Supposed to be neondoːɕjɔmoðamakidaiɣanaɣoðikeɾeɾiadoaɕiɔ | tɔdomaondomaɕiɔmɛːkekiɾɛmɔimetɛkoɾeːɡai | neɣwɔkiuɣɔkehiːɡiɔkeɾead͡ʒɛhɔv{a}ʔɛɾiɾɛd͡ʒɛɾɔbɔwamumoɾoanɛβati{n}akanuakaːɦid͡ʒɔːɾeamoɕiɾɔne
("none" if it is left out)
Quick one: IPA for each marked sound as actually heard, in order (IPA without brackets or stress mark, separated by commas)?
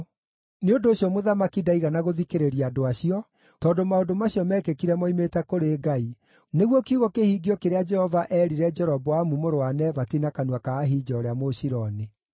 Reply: a, n